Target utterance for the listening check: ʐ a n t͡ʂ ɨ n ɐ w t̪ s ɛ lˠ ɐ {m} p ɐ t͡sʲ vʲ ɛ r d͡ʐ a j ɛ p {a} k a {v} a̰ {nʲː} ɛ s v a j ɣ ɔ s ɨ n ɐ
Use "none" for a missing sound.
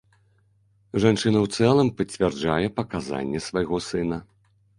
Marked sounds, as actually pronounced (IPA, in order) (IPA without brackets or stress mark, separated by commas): m, ɐ, z, nʲː